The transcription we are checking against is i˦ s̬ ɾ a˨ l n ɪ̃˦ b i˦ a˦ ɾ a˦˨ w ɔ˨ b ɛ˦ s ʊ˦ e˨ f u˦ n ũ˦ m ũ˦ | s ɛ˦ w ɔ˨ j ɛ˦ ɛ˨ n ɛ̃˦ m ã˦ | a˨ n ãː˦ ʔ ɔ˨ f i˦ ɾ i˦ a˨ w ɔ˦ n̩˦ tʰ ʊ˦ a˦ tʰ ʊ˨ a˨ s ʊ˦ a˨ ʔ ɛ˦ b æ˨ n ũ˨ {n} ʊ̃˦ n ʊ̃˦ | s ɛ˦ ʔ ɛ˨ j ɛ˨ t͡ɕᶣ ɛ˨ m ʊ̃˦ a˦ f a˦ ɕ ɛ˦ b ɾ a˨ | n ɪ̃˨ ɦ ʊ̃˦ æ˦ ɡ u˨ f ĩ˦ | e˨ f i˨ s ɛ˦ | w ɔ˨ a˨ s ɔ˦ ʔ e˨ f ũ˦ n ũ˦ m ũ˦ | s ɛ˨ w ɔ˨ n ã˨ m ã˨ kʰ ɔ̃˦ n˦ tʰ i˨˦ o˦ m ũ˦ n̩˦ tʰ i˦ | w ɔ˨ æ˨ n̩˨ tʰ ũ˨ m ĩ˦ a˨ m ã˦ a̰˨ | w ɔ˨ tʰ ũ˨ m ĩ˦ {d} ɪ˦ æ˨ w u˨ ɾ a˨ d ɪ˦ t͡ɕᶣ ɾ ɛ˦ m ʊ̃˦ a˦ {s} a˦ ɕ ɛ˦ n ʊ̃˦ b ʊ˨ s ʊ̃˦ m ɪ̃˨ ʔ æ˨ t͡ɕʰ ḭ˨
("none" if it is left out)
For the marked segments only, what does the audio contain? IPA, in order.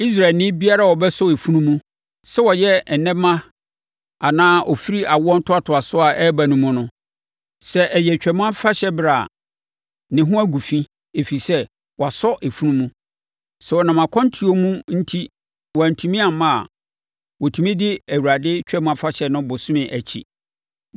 m, d, f

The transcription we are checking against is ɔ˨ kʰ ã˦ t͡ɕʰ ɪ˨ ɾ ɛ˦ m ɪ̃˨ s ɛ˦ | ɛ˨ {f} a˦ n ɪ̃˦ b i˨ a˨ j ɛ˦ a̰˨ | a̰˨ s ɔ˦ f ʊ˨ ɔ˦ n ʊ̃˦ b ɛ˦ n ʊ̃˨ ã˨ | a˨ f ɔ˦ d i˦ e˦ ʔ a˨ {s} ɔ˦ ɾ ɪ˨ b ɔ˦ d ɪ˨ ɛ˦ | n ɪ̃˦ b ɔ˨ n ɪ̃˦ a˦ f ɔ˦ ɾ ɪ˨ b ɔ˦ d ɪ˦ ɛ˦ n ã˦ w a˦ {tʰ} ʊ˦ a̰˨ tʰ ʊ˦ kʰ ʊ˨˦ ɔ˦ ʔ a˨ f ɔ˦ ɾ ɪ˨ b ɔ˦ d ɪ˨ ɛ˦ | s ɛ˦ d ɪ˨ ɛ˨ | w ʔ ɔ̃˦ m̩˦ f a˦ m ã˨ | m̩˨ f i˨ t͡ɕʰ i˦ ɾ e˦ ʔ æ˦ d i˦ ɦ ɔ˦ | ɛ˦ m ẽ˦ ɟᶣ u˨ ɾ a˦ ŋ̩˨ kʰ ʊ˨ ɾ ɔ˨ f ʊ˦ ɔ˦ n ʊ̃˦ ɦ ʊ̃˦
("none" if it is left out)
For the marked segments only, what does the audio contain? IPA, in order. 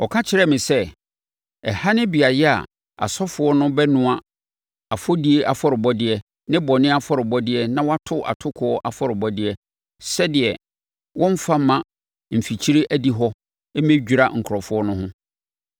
h, f, tʰ

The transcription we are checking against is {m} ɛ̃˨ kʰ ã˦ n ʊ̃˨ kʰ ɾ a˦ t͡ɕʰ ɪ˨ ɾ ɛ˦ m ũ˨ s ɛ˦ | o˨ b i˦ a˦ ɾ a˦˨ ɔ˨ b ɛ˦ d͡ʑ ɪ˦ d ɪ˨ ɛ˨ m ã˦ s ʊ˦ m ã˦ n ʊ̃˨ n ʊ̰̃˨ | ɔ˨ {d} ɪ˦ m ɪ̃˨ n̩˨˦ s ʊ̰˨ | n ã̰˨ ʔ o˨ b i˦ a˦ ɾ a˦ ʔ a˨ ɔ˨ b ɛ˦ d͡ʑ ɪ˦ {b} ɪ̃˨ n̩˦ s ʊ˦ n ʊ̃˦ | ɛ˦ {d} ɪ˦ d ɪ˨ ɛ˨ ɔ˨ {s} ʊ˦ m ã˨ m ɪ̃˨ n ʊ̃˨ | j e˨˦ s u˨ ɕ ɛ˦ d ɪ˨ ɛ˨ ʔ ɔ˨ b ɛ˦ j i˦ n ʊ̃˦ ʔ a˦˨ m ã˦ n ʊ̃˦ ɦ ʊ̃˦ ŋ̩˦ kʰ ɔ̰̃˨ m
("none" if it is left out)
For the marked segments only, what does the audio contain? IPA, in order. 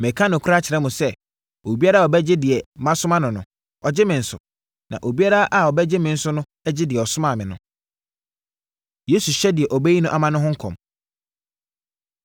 m, d͡ʑ, m, d͡ʑ, s

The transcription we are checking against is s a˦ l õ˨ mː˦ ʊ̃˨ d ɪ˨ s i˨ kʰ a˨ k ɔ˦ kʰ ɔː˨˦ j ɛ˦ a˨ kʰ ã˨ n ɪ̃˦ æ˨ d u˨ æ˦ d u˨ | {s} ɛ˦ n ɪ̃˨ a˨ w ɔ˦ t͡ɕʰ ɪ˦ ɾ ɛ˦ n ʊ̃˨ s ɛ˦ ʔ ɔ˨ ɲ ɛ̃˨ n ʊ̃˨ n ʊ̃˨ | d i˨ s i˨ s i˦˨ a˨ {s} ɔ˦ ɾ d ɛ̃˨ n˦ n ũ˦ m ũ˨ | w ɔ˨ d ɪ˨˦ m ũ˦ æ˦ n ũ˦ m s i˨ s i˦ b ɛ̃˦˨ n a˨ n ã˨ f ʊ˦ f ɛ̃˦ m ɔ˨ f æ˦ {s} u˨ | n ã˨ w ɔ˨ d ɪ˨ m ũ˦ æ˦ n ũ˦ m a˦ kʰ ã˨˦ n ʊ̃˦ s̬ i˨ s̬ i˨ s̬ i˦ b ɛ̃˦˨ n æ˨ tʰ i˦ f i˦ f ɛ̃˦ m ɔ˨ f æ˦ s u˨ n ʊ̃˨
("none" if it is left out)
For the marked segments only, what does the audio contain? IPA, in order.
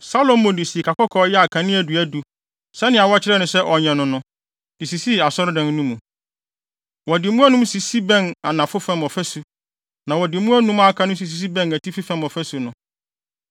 s, s, s

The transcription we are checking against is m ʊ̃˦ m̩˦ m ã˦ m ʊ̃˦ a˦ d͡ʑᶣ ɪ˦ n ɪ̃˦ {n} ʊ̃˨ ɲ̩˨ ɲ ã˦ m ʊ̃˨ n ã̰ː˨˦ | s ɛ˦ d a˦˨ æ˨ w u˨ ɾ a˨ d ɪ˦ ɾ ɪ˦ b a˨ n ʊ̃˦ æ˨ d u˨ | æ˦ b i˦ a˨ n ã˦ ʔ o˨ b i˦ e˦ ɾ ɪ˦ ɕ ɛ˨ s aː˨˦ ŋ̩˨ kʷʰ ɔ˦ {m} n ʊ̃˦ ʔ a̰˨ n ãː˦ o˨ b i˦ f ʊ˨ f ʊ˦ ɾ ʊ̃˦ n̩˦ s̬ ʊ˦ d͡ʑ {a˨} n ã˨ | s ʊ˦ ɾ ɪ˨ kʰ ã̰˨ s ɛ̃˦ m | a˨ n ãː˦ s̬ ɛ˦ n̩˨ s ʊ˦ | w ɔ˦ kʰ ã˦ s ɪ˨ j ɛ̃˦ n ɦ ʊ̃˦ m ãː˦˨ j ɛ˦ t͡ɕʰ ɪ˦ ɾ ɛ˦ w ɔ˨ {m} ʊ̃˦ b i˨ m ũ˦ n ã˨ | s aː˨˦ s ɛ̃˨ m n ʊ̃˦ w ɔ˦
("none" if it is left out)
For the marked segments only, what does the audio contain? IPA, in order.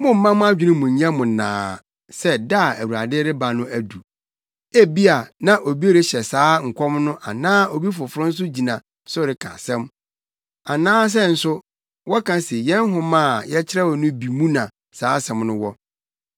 m, m, i˨, n

